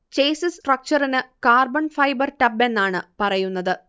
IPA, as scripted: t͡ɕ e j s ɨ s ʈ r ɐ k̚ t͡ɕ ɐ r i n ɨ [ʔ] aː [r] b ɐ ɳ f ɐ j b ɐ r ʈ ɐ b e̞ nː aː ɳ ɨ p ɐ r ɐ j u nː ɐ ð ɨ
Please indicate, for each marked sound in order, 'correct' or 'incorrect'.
incorrect, correct

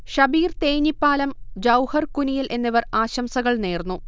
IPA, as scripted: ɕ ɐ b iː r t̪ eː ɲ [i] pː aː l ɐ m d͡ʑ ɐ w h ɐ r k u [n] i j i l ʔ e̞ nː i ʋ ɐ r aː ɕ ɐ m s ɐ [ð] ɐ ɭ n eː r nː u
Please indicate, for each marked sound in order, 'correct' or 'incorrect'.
correct, correct, incorrect

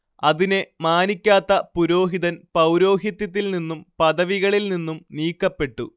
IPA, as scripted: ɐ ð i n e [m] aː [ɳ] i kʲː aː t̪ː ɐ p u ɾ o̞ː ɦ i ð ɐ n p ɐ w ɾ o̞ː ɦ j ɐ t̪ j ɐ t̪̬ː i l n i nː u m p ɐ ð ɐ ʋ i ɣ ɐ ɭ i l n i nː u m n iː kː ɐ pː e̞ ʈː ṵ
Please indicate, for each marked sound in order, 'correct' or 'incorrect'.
correct, incorrect

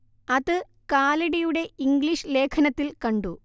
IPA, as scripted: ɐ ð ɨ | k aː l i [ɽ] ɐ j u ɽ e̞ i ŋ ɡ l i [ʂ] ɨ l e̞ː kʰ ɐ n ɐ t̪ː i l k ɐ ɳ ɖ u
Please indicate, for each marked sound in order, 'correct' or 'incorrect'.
correct, correct

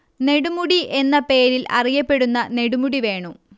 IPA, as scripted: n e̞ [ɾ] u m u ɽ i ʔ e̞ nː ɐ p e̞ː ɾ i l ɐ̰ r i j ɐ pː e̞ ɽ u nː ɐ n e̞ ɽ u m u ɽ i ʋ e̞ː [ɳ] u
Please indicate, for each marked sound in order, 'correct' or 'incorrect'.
incorrect, correct

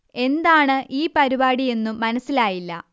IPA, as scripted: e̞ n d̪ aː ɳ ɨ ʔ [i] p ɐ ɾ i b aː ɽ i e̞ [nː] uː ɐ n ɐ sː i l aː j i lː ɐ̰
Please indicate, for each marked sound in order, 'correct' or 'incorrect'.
incorrect, correct

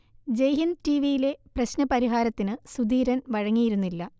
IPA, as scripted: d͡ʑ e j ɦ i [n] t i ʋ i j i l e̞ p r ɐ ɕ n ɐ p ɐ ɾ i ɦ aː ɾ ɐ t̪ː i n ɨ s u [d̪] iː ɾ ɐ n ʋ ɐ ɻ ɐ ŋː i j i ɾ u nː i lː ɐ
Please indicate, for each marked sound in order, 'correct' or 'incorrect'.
correct, correct

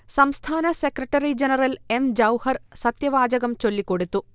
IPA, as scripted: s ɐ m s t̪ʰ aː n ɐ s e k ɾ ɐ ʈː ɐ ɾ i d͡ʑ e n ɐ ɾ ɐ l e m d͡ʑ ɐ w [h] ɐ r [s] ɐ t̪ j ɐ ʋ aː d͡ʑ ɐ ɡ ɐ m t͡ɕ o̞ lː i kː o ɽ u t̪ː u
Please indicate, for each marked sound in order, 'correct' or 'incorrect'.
correct, correct

